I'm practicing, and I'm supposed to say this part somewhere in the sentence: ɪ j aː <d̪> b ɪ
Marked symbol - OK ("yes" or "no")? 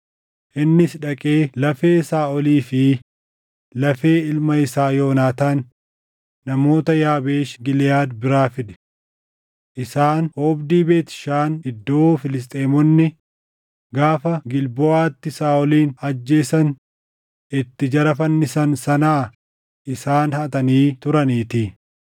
yes